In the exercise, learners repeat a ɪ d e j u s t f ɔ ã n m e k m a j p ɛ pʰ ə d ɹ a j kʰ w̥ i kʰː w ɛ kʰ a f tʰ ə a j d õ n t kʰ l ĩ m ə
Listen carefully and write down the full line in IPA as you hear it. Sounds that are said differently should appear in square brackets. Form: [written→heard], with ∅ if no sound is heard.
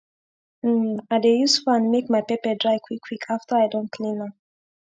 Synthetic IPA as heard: a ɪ d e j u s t f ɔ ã n m e k m a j p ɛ [pʰ→p] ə d ɹ a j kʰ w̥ i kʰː w [ɛ→i] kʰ a f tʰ ə a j d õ n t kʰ l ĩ [m→n] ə

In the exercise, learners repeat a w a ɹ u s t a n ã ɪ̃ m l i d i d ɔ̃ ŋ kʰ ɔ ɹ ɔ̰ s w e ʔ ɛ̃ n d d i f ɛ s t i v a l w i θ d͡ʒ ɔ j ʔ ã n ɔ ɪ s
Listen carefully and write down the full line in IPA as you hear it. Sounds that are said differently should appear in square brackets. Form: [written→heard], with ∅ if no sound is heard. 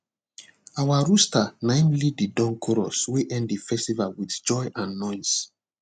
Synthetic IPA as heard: a w a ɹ u s t a n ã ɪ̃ m l i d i d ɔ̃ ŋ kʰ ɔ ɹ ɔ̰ s w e ʔ ɛ̃ n d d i f ɛ s t i v a l w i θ d͡ʒ ɔ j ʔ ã [n→nː] ɔ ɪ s

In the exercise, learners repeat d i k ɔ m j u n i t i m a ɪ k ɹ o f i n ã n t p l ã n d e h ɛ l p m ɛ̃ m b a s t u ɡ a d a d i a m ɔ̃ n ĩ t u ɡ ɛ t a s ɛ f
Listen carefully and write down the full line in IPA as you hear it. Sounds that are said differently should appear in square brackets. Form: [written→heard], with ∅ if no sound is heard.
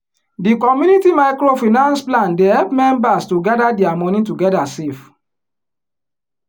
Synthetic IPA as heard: d i k ɔ m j u n i t i m a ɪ k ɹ o f i n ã n [t→s] p l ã n d e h ɛ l p m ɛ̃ m b a s t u ɡ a d a d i a m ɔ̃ n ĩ t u ɡ ɛ [t→d] a s [ɛ→e] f

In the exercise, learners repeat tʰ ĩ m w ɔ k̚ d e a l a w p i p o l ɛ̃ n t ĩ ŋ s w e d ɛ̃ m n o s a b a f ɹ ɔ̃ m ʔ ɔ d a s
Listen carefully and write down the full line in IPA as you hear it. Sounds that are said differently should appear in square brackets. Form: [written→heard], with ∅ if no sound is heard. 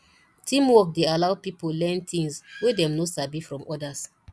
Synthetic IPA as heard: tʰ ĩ m w ɔ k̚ d e a l a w p i p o l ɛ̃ n t ĩ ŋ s w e d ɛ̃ m n o s a b [a→i] f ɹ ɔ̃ m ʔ ɔ d a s

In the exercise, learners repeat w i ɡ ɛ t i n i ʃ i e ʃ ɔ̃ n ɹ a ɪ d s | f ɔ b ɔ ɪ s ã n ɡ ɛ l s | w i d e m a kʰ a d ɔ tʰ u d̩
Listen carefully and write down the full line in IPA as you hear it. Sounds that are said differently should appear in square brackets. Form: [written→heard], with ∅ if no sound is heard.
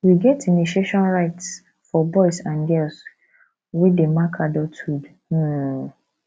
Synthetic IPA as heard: w i ɡ ɛ t i n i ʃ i e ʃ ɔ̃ n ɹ a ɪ [d→t] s | f ɔ b ɔ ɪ s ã n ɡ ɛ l s | w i d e m a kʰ a d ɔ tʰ u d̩

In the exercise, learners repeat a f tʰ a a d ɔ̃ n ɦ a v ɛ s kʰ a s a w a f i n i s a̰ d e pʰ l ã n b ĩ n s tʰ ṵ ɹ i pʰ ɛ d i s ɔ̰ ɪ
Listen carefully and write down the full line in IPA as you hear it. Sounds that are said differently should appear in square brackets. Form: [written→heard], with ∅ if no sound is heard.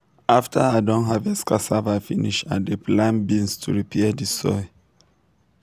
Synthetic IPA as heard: a f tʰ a a d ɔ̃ n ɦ a v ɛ s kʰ a s a [w→v] a f i n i [s→ʃ] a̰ d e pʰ l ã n b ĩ n s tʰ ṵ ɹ i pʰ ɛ d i s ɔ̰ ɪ

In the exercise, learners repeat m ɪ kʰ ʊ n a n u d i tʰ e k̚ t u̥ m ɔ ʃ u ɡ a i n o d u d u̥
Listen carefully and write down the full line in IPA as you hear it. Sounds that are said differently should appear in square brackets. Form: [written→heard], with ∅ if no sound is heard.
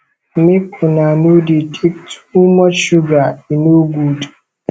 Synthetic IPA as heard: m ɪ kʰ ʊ n a n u d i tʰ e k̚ t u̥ m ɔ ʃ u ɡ a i n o [d→ɡ] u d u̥

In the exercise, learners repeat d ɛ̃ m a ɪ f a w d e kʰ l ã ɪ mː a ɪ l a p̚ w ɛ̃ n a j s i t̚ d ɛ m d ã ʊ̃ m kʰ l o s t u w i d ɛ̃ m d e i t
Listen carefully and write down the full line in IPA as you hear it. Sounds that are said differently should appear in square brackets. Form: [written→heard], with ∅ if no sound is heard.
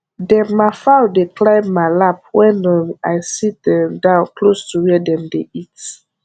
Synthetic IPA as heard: d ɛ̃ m a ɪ f a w d e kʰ l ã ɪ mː a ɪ l a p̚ w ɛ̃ n a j s i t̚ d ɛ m d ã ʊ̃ [m→n] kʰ l o s t u w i d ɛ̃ m d e i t

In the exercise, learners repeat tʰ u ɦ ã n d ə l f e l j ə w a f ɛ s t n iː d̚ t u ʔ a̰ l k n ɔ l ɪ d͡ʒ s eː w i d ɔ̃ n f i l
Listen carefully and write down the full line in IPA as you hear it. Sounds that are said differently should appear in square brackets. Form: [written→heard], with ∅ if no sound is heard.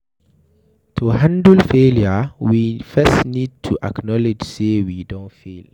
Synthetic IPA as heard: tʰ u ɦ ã n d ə l f e l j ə w [a→i] f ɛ s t n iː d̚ [t→tʰ] u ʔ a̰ [l→∅] k n ɔ l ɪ d͡ʒ s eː w i d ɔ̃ n f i l

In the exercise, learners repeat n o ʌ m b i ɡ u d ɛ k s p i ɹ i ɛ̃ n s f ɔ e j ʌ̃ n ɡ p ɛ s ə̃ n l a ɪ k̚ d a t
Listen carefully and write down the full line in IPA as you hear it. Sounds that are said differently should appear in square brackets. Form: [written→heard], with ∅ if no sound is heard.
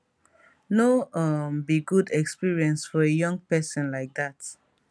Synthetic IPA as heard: n o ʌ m b i ɡ u d ɛ k s p i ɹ i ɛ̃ n s f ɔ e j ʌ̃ [n→ŋ] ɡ p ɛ s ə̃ n l a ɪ k̚ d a t

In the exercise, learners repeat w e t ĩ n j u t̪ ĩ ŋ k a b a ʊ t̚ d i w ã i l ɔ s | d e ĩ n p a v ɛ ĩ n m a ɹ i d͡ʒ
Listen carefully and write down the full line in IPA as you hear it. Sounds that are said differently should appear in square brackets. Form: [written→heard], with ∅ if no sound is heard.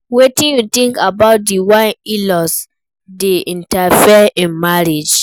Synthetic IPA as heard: w e t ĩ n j u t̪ ĩ ŋ k a b a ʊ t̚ d i w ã i l ɔ s | d e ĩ n [p→t] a [v→f] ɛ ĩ n m a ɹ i d͡ʒ

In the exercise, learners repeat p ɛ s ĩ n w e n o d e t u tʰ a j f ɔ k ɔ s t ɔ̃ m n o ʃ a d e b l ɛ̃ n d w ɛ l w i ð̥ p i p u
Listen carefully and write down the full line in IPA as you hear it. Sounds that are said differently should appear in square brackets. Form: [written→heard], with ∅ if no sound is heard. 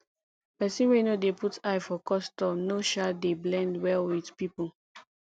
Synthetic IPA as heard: p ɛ s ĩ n w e n o d e [t→p] u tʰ a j f ɔ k ɔ s t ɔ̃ m n o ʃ a d e b l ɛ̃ n d w ɛ l w i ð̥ p i p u

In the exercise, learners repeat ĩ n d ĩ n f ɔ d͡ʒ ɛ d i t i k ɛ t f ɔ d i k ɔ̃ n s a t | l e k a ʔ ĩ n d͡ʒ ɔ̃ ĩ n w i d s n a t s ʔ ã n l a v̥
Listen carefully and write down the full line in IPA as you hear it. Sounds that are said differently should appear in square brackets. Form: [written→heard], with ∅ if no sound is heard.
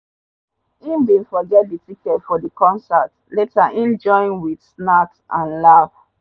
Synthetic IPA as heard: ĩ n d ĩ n f ɔ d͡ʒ ɛ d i t i k ɛ t f ɔ d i k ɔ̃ n s a t | l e [k→t] a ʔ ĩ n d͡ʒ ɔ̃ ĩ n w i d s n a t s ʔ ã n l a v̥

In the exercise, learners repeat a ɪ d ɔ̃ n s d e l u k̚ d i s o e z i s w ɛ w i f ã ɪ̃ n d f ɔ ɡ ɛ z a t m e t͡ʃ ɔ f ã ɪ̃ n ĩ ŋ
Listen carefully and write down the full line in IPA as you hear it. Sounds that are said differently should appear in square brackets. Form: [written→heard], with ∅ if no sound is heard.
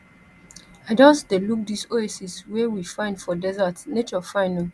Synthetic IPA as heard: a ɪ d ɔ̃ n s d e l u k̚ d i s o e [z→s] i s w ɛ w i f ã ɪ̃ n d f ɔ [ɡ→d] ɛ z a t [m→n] e t͡ʃ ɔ f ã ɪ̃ n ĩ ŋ

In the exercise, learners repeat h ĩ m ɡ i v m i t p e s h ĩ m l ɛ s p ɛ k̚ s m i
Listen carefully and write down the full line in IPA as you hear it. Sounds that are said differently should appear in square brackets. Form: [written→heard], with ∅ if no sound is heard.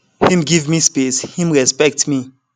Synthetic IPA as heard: h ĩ m ɡ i v m i [t→s] p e s h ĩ m [l→ɹ] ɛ s p ɛ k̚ [s→t] m i

